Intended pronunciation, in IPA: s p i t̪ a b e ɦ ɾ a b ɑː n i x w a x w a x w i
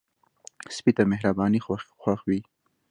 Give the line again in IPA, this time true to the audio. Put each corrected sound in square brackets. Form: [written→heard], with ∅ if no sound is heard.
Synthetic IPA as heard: s p i t̪ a [b→m] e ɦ ɾ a b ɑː n i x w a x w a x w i

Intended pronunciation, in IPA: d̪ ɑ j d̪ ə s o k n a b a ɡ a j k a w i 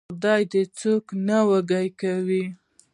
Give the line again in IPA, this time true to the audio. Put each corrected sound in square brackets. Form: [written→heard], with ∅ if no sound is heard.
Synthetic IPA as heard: d̪ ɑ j d̪ ə [s→t͡s] o k n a [b→w] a ɡ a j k a w i

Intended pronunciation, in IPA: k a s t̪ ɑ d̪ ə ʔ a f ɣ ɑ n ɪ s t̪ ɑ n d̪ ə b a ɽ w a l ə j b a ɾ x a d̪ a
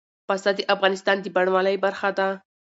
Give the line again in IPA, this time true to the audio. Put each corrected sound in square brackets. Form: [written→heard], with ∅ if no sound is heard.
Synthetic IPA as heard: [k→p] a s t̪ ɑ d̪ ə ʔ a f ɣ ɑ n ɪ s t̪ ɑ n d̪ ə b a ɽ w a l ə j b a ɾ x a d̪ a

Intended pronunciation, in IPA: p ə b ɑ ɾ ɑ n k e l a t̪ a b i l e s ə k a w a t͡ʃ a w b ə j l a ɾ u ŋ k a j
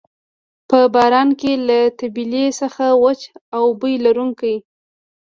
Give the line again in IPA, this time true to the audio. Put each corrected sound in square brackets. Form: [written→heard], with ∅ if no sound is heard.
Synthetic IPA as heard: p ə b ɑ ɾ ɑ n k e l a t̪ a b i l e s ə [k→x] a w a t͡ʃ a w b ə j l a ɾ u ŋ k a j

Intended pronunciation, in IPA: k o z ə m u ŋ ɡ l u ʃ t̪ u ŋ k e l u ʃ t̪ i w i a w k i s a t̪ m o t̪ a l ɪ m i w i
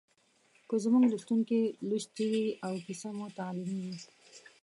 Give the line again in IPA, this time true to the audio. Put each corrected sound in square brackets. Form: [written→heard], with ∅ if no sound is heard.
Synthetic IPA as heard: k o z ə m u ŋ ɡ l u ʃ t̪ u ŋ k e l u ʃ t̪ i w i a w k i s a [t̪→∅] m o t̪ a l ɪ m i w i

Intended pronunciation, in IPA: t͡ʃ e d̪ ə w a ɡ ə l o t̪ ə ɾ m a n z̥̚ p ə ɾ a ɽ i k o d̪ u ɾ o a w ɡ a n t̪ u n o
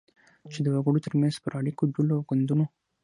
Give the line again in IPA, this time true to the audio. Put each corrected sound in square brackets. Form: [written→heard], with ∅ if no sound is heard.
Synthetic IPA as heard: t͡ʃ e d̪ ə w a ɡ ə [l→ɽ] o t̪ ə ɾ m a n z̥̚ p ə ɾ a ɽ i k o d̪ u [ɾ→l] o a w ɡ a n [t̪→d̪] u n o

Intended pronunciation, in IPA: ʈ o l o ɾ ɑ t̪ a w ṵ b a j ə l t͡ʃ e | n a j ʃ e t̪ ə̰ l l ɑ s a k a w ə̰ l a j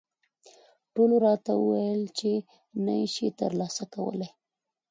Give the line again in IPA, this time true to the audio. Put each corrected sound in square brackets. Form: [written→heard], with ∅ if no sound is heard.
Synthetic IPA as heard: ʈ o l o ɾ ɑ t̪ a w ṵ [b→w] a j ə l t͡ʃ e | n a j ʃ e t̪ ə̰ [l→ɾ] l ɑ s a k a w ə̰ l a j

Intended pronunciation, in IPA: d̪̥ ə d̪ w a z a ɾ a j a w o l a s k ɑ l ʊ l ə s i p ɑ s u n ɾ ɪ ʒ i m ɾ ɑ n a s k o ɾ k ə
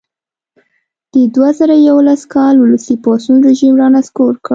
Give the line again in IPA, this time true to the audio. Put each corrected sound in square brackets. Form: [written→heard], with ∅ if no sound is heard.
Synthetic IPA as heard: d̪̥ ə d̪ w a z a ɾ a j a w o l a s k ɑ l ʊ l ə s i p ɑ s u n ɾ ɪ ʒ i m ɾ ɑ n a s k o ɾ k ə

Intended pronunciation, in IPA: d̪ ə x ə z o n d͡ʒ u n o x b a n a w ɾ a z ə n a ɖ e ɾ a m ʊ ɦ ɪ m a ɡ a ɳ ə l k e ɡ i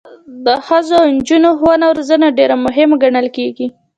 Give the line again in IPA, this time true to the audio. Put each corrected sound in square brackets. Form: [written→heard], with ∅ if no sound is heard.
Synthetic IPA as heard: d̪ ə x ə z o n d͡ʒ u n o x [b→w] a n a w ɾ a z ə n a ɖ e ɾ a m ʊ ɦ ɪ m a ɡ a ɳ ə l k e ɡ i

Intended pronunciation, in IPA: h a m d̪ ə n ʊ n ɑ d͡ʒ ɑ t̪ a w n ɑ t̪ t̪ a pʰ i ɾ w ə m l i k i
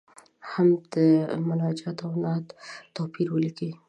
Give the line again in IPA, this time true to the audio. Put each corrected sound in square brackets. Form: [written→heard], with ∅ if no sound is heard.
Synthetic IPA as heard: h a m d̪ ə [n→m] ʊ n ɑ d͡ʒ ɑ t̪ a w n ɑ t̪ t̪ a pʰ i ɾ w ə [m→∅] l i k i

